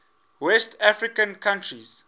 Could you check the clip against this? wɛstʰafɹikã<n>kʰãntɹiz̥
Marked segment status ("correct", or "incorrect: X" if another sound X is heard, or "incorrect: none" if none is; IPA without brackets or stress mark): correct